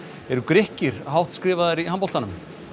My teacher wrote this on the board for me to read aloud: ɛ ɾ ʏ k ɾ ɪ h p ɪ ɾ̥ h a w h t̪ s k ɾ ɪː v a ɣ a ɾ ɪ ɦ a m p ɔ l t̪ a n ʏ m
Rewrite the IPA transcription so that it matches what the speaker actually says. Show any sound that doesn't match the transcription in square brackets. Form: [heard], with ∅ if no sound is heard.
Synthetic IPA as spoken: ɛ ɾ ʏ k ɾ ɪ h [c] ɪ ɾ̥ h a w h t̪ s k ɾ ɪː v a [ð] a ɾ [i] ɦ a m p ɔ l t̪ a n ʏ m